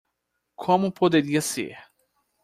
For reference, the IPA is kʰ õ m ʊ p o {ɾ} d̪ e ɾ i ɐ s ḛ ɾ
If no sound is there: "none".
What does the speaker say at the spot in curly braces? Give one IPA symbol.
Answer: none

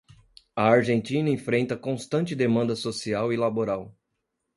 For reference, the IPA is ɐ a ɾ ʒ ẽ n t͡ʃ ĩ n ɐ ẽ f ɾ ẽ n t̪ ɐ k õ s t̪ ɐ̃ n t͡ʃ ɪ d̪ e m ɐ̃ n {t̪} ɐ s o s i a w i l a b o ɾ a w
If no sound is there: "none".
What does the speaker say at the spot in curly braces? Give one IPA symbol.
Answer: d̪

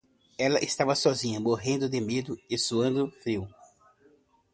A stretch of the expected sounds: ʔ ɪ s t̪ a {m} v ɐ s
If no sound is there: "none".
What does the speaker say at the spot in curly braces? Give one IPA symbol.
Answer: none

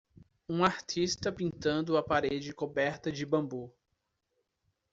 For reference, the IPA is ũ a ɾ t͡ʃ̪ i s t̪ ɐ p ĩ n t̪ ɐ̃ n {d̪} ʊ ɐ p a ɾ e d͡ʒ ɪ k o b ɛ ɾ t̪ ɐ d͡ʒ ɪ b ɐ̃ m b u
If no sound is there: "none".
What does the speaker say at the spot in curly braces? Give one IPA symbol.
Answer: d̪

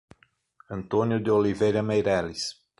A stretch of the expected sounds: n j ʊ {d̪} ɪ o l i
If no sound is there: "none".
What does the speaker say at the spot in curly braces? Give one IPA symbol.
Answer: d̪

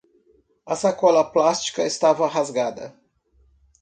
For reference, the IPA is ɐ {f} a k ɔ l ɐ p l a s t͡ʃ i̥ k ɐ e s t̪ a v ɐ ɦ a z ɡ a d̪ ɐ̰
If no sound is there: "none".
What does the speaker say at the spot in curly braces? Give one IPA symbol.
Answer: s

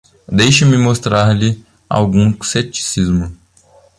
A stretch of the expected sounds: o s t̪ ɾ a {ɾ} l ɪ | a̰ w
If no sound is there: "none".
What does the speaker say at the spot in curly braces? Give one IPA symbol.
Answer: ɾ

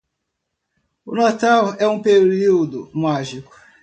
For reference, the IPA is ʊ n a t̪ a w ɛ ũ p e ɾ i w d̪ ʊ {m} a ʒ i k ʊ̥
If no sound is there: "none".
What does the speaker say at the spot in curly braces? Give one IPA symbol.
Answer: m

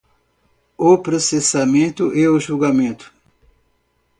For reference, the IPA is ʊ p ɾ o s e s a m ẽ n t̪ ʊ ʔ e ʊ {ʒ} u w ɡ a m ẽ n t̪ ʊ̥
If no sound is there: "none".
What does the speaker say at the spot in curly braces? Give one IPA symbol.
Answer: ʒ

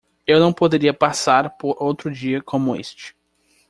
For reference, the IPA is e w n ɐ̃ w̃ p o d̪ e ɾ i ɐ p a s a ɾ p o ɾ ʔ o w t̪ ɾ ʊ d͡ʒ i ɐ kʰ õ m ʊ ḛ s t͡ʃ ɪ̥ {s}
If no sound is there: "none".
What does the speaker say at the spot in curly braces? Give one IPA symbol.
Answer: none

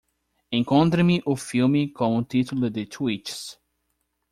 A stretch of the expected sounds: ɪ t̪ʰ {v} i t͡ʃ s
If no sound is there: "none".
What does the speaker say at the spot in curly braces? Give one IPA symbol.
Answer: w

